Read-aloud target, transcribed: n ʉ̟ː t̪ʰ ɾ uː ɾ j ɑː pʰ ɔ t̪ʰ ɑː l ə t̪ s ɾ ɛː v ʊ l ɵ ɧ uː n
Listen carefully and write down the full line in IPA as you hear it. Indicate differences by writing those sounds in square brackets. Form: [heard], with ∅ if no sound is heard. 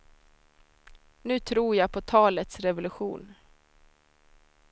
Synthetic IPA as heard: n ʉ̟ː t̪ʰ ɾ uː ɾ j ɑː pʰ ɔ t̪ʰ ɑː l ə t̪ s ɾ [ɛ] v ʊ l ɵ ɧ uː n